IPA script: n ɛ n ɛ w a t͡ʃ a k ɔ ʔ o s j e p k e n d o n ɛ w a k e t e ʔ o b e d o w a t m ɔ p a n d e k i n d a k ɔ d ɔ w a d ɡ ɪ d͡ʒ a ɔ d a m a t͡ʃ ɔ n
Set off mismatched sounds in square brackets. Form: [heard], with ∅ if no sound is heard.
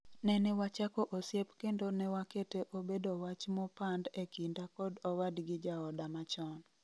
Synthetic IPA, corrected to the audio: n ɛ n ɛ w a t͡ʃ a k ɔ ʔ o s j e p k e n d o n ɛ w a k e t e ʔ o b e d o w a [t͡ʃ] m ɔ p a n d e k i n d a k ɔ d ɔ w a d ɡ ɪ d͡ʒ a ɔ d a m a t͡ʃ ɔ n